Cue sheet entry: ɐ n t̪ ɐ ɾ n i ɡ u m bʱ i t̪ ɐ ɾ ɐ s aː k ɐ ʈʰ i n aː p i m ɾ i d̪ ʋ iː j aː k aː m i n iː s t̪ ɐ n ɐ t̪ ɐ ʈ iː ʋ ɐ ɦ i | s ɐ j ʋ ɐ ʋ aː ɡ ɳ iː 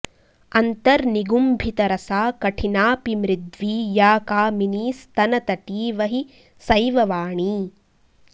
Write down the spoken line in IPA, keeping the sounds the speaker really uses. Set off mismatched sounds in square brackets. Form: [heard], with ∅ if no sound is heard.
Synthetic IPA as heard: ɐ n t̪ ɐ ɾ n i ɡ u m bʱ i t̪ ɐ ɾ ɐ s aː k ɐ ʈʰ i n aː p i m ɾ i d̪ ʋ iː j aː k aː m i n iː s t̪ ɐ n ɐ t̪ ɐ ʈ iː ʋ ɐ ɦ i | s ɐ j ʋ ɐ ʋ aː [∅] ɳ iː